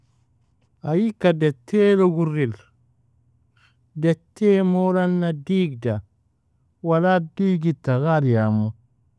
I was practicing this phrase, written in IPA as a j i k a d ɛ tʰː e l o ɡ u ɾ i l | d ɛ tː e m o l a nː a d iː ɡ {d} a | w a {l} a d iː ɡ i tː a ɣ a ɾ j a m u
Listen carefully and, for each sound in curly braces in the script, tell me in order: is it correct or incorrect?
correct, correct

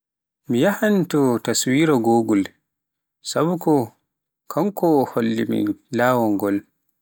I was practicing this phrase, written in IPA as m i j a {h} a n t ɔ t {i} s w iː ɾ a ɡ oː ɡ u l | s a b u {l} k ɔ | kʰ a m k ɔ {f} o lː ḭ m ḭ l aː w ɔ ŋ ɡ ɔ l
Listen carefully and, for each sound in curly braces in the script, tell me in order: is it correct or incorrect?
correct, incorrect, incorrect, incorrect

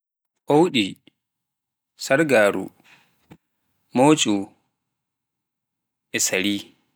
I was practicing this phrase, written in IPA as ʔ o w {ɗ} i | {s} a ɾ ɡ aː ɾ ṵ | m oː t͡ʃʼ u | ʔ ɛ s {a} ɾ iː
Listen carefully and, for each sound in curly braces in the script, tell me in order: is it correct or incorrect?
correct, correct, correct

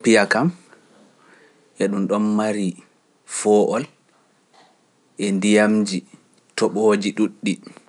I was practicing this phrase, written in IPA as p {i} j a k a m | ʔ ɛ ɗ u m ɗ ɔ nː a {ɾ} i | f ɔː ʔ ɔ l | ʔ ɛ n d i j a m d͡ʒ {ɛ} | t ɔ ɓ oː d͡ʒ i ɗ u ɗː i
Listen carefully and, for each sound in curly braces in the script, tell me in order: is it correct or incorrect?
correct, correct, incorrect

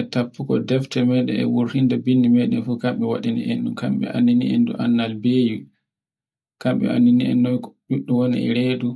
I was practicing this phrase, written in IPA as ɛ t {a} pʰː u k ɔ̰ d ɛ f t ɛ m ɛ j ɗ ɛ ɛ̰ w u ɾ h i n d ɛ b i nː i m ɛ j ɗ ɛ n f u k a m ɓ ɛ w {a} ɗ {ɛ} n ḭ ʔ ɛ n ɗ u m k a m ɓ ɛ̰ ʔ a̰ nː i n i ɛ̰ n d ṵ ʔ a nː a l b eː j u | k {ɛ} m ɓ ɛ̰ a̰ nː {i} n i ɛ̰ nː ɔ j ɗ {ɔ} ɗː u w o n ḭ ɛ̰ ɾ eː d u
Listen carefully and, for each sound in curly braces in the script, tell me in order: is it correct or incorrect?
correct, correct, incorrect, incorrect, correct, incorrect

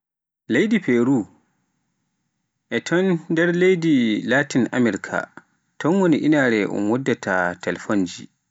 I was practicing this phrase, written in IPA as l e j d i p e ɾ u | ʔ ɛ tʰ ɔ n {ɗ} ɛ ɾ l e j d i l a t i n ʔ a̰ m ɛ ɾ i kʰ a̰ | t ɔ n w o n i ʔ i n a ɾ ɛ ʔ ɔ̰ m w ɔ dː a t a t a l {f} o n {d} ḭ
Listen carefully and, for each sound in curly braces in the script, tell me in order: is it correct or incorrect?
incorrect, correct, incorrect

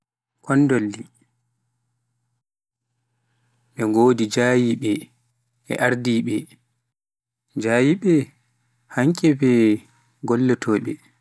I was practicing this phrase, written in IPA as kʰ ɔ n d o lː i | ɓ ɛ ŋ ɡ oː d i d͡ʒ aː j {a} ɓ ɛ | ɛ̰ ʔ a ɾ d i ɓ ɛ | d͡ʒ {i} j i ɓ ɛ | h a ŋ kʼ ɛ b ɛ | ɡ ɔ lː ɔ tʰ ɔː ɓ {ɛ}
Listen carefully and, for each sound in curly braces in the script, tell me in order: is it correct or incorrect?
incorrect, incorrect, correct

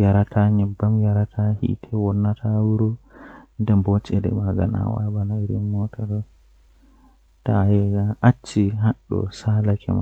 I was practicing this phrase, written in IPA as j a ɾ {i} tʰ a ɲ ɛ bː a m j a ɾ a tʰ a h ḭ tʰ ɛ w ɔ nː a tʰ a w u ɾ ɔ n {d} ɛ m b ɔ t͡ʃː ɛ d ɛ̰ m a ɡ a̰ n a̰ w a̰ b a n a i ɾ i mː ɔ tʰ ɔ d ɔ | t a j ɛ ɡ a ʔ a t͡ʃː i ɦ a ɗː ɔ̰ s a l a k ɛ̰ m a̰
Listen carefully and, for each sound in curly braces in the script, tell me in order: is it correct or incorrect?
incorrect, correct

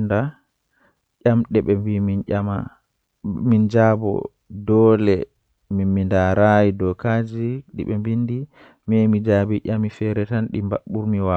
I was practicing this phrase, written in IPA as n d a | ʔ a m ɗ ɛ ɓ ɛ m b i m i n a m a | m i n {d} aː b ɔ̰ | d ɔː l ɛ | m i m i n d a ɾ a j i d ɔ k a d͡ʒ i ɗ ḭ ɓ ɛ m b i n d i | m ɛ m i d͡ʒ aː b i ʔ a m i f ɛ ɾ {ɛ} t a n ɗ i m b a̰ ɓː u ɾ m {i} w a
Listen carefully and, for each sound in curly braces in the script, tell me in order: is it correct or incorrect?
incorrect, correct, correct

